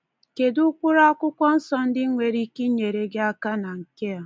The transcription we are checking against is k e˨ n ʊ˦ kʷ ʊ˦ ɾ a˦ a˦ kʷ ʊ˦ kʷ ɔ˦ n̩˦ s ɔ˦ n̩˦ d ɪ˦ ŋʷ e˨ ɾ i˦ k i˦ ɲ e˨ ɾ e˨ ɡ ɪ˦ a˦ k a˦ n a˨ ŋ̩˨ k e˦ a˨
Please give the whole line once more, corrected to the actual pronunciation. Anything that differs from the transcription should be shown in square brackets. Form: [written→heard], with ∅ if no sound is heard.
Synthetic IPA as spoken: k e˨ [n→d] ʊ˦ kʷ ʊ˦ ɾ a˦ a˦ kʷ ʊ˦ kʷ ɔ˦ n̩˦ s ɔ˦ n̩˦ d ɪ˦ ŋʷ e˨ ɾ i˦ k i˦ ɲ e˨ ɾ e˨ ɡ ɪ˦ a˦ k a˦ n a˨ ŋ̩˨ k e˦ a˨